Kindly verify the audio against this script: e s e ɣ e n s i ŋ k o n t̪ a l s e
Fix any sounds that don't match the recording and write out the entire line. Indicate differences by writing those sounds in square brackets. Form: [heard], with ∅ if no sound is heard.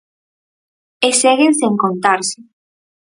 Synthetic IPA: e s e ɣ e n s [e] ŋ k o n t̪ a [ɾ] s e